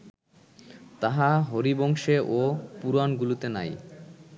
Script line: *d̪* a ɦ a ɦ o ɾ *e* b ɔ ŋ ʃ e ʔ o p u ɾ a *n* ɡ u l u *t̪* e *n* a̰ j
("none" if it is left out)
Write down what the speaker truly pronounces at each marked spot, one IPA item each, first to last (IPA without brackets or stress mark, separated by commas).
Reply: t̪, i, n, t̪, n